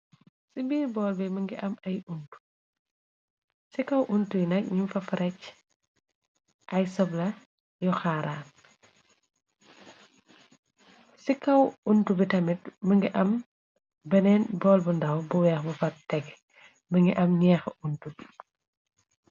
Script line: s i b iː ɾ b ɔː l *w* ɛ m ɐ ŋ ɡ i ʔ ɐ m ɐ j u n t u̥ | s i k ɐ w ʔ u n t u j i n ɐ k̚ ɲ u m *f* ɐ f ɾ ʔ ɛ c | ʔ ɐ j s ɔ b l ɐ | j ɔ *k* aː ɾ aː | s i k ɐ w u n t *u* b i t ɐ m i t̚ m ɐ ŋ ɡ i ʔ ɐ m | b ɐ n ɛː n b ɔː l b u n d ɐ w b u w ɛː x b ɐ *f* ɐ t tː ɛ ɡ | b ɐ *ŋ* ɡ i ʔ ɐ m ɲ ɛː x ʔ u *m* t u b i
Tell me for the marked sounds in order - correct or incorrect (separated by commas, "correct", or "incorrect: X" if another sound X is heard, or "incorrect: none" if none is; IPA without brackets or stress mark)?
incorrect: b, correct, incorrect: x, correct, correct, correct, incorrect: n